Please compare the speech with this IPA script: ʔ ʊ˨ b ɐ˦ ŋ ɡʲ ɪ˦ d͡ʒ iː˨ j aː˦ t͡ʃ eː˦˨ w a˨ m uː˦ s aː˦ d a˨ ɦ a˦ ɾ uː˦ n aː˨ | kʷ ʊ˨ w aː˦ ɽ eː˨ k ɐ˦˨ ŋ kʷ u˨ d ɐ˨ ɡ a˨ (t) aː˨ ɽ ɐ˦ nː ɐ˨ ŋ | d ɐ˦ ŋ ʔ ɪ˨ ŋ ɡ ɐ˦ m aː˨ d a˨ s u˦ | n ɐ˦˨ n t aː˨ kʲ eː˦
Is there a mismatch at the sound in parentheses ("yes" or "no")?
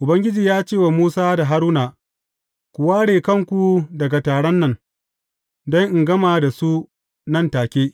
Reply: no